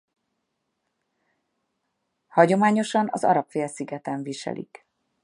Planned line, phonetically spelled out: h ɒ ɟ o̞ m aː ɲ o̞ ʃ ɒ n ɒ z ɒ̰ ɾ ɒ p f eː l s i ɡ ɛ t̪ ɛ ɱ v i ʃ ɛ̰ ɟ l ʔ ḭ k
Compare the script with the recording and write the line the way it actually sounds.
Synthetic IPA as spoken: h ɒ ɟ o̞ m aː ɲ o̞ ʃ ɒ n ɒ z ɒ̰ ɾ ɒ p f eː l s i ɡ ɛ t̪ ɛ ɱ v i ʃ ɛ̰ l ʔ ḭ k

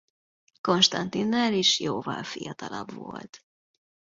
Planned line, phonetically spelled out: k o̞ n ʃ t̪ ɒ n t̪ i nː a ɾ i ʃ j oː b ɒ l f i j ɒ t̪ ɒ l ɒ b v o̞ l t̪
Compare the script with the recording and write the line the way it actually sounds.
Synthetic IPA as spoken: k o̞ n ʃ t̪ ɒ n t̪ i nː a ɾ i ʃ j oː v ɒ l f i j ɒ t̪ ɒ l ɒ b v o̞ l t̪

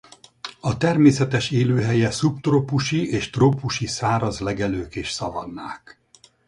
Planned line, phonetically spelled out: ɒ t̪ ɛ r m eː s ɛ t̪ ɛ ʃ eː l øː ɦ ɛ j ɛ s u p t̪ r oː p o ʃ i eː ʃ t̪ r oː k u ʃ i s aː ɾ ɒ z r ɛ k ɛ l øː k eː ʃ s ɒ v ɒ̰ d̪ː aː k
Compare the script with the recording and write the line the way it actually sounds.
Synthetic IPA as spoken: ɒ t̪ ɛ r m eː s ɛ t̪ ɛ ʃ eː l øː ɦ ɛ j ɛ s u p t̪ r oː p u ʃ i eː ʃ t̪ r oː p u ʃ i s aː ɾ ɒ z l ɛ ɡ ɛ l øː k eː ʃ s ɒ v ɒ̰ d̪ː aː k

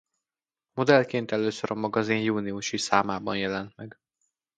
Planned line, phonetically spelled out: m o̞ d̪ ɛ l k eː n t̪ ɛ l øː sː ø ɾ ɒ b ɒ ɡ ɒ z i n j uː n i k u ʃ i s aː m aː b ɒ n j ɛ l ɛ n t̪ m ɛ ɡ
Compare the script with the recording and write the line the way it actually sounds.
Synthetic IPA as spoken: m o̞ d̪ ɛ l k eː n t̪ ɛ l øː s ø ɾ ɒ m ɒ ɡ ɒ z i n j uː n i u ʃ i s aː m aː b ɒ n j ɛ l ɛ n t̪ m ɛ ɡ

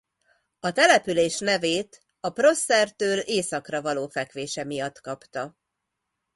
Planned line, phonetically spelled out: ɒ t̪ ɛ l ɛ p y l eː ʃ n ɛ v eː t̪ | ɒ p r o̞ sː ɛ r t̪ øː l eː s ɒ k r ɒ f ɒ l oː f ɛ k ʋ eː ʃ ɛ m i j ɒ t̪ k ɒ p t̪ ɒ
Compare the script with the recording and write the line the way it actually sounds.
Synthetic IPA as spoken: ɒ t̪ ɛ l ɛ p y l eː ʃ n ɛ v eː t̪ | ɒ p r o̞ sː ɛ r t̪ øː l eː s ɒ k r ɒ v ɒ l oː f ɛ k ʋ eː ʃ ɛ m i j ɒ t̪ k ɒ p t̪ ɒ

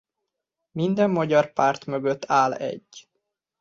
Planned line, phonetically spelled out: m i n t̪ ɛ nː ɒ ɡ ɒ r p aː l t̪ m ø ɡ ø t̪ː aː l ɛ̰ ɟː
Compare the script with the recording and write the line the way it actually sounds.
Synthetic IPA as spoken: m i n d̪ ɛ mː ɒ ɟ ɒ r p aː r t̪ m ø ɡ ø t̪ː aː l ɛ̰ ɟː

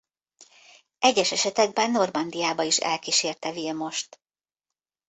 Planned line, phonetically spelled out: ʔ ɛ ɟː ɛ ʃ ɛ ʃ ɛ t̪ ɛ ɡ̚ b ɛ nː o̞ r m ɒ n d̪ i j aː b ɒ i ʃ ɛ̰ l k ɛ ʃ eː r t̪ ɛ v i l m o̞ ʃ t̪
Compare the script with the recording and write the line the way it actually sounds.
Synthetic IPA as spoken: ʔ ɛ ɟː ɛ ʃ ɛ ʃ ɛ t̪ ɛ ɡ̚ b ɛ nː o̞ r m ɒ n d̪ i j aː b ɒ i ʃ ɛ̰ l k i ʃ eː r t̪ ɛ v i l m o̞ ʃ t̪

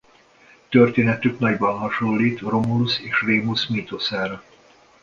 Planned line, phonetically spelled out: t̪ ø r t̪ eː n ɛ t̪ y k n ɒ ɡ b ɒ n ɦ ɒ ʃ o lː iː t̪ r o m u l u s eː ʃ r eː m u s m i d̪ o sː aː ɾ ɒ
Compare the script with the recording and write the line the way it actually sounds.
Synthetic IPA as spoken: t̪ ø r t̪ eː n ɛ t̪ y k n ɒ ɟ b ɒ n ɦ ɒ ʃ o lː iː t̪ r o m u l u s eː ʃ r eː m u s m i t̪ o s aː ɾ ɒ

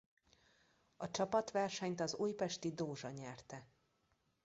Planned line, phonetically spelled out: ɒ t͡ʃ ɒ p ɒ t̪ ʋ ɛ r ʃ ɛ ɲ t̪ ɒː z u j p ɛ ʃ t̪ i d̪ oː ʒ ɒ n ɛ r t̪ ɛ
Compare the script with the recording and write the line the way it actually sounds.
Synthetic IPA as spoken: ɒ t͡ʃ ɒ p ɒ t̪ ʋ ɛ r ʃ ɛ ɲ t̪ ɒ z u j p ɛ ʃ t̪ i d̪ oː ʒ ɒ ɲ ɛ r t̪ ɛ

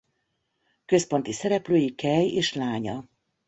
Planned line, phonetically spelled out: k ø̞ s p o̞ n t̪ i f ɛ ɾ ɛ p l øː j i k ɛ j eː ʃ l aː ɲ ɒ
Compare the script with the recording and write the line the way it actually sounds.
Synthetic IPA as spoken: k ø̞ s p o̞ n t̪ i s ɛ ɾ ɛ p l øː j i k ɛ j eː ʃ l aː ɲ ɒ

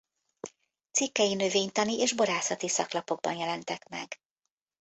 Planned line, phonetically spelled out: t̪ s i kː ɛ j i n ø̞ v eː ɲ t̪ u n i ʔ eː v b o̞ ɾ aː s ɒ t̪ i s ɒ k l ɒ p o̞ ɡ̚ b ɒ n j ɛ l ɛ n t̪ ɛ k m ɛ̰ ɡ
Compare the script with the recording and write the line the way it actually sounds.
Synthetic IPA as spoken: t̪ s i kː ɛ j i n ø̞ v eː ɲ t̪ ɒ n i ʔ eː ʒ b o̞ ɾ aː s ɒ t̪ i s ɒ k l ɒ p o̞ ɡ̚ b ɒ n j ɛ l ɛ n t̪ ɛ k m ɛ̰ ɡ

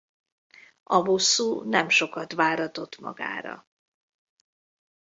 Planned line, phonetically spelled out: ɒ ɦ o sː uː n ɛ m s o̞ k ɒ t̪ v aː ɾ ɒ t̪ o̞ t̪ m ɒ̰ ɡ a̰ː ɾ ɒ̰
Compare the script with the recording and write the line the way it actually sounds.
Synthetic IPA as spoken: ɒ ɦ o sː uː n ɛ m ʃ o̞ k ɒ t̪ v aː ɾ ɒ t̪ o̞ t̪ m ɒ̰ ɡ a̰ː ɾ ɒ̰

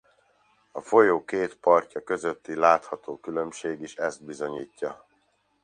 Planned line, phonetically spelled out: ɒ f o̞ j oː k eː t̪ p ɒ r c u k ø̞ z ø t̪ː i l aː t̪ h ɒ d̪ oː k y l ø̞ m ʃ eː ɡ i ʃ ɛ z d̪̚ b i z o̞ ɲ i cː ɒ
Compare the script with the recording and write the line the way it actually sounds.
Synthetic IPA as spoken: ɒ f o̞ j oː k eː t̪ p ɒ r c ɒ k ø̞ z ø t̪ː i l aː t̪ h ɒ t̪ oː k y l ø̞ m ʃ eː ɡ i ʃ ɛ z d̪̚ b i z o̞ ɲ iː cː ɒ

